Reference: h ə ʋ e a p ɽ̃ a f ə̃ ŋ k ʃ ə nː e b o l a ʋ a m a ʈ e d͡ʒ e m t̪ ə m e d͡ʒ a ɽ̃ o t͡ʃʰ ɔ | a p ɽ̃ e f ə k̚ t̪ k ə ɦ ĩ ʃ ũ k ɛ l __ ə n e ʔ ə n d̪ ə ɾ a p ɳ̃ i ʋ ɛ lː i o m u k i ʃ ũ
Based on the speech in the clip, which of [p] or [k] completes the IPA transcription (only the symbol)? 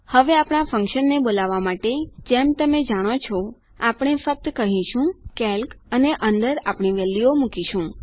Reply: k